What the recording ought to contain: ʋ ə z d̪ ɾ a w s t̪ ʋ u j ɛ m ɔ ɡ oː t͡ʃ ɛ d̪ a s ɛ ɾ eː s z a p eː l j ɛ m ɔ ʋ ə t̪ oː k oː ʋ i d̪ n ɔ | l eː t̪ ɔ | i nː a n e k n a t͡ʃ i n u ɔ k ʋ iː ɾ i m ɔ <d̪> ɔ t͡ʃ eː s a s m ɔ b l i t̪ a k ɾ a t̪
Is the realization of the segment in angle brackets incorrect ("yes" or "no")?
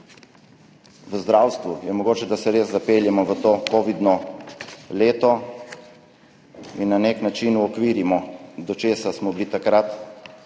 no